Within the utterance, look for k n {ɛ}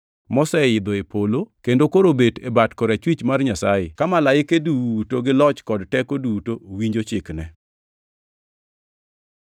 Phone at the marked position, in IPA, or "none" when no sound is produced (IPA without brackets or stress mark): ɛ